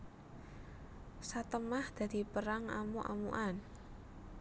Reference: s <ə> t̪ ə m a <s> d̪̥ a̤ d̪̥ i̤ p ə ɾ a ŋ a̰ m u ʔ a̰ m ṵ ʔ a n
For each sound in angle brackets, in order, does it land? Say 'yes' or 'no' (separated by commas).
no, no